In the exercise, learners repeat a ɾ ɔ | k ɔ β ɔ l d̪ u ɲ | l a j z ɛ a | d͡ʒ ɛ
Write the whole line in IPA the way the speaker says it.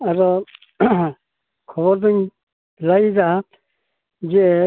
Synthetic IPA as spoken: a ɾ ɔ | kʰ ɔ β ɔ ɾ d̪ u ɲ | l a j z a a | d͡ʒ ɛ